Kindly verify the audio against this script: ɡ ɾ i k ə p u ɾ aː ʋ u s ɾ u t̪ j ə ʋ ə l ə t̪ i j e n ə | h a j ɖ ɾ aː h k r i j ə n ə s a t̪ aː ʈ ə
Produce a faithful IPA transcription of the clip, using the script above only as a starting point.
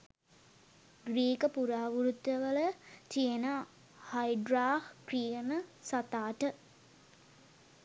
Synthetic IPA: ɡ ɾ iː k ə p u ɾ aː ʋ u ɾ u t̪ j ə ʋ ə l ə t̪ i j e n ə | h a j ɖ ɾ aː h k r i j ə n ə s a t̪ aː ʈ ə